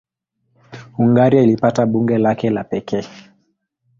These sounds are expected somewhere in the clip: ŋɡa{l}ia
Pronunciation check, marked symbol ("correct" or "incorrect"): incorrect